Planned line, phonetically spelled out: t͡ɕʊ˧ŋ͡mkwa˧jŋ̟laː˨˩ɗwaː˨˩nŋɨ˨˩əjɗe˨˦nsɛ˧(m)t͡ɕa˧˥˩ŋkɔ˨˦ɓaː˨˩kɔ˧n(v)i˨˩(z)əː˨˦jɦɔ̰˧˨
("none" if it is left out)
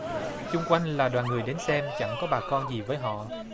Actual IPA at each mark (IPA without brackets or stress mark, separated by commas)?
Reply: m, z, v